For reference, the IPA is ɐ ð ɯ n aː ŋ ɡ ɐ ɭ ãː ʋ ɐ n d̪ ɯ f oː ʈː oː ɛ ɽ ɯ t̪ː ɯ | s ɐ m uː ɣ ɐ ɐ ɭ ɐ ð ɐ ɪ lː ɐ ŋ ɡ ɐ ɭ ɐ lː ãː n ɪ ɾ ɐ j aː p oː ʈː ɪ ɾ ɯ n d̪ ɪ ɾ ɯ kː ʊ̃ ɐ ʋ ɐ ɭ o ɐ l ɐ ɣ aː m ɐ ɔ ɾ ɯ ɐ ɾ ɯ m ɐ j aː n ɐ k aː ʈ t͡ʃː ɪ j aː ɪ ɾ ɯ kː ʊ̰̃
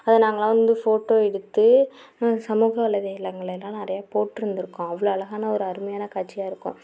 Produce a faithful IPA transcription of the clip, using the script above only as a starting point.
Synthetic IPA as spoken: ɐ ð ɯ n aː ŋ ɡ ɐ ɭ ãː ʋ ɐ n d̪ ɯ f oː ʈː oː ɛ ɽ ɯ t̪ː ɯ | s ɐ m uː ɣ ɐ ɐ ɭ ɐ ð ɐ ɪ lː ɐ ŋ ɡ ɐ ɭ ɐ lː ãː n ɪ ɾ ɐ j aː p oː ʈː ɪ ɾ ɯ n d̪ ɪ ɾ ɯ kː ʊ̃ ɐ ʋ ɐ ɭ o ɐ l ɐ ɣ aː n ɐ ɔ ɾ ɯ ɐ ɾ ɯ m ɐ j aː n ɐ k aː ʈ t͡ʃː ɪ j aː ɪ ɾ ɯ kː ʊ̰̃